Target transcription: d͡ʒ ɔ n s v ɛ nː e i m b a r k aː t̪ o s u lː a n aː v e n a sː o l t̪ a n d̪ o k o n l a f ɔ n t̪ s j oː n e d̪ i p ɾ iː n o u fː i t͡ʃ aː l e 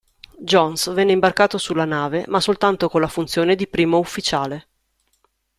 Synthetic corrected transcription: d͡ʒ ɔ n s v ɛ nː e i m b a r k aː t̪ o s u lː a n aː v e m a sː o l t̪ a n t̪ o k o n l a f u n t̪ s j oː n e d̪ i p ɾ iː m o u fː i t͡ʃ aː l e